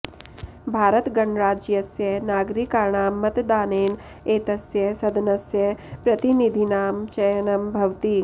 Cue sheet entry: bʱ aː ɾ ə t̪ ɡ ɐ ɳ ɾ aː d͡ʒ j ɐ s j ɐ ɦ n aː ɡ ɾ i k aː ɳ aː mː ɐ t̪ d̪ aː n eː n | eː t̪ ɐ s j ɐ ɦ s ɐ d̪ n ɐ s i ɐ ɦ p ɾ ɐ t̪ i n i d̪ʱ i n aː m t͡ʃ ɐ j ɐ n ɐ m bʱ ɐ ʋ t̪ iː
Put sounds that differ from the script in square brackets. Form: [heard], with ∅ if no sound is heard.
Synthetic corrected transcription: bʱ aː ɾ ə t̪ ɡ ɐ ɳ ɾ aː d͡ʒ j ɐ s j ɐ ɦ n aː ɡ ɾ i k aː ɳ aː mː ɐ t̪ d̪ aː n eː n | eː t̪ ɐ s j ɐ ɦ s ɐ d̪ n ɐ s [j] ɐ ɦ p ɾ ɐ t̪ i n i d̪ʱ i n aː m t͡ʃ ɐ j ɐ n ɐ m bʱ ɐ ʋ t̪ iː